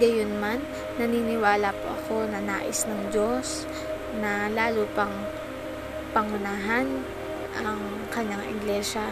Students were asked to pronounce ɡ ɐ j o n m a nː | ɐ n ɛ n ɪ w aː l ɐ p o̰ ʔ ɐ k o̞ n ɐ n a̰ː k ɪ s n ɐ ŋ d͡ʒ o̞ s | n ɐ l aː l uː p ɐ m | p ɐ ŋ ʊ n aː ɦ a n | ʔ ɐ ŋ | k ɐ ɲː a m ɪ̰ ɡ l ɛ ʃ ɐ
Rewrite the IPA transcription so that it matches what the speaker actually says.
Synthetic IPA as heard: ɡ ɐ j o n m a nː | ɐ n i n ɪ w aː l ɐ p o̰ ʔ ɐ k o̞ n ɐ n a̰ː ʔ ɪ s n ɐ ŋ d͡ʒ o̞ s | n ɐ l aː l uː p ɐ ŋ | p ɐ ŋ ʊ n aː ɦ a n | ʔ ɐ ŋ | k ɐ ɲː a ŋ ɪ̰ ɡ l ɛ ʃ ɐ